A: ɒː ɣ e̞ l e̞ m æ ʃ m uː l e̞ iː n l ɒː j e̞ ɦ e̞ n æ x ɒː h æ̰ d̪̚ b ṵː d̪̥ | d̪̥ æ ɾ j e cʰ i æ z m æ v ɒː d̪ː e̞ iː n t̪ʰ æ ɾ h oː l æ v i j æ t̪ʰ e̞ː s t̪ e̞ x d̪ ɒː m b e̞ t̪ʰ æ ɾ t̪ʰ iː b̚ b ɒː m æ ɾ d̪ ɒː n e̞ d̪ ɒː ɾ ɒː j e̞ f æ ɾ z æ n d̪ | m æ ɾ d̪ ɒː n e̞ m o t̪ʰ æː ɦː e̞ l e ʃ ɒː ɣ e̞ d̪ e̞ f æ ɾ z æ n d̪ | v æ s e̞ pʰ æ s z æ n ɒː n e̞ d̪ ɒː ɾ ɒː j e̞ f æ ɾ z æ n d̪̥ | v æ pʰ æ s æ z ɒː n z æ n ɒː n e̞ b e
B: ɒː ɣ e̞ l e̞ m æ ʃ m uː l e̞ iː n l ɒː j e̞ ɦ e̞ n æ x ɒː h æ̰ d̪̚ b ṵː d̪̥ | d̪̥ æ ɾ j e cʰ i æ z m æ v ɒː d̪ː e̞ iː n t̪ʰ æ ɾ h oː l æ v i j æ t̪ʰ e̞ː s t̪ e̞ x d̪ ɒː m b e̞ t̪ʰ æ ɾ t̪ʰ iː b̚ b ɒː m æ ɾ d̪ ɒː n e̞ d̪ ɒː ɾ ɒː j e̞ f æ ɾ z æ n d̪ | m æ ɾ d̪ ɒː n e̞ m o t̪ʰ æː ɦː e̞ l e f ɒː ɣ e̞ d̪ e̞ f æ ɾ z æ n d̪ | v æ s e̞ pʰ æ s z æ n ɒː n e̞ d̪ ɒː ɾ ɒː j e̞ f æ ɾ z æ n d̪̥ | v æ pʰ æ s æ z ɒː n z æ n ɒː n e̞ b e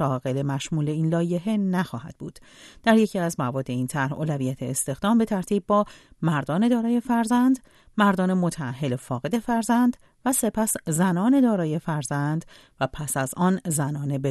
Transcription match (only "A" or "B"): B